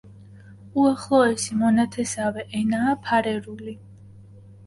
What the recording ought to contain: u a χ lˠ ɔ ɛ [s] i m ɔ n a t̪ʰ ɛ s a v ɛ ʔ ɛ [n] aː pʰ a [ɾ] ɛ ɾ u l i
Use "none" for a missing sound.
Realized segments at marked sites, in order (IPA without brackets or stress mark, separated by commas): s, n, ɾ